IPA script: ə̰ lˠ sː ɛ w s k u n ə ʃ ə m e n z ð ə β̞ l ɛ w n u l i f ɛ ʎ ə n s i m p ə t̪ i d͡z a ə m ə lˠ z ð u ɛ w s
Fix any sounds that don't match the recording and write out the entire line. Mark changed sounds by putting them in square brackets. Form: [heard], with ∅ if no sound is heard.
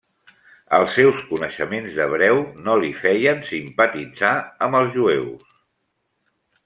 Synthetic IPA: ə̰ lˠ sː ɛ w s k u n ə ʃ ə m e n z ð ə β̞ [ɾ] ɛ w n [o] l i f ɛ [j] ə n s i m p ə t̪ i d͡z a ə m ə lˠ z [ʒ] u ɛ w s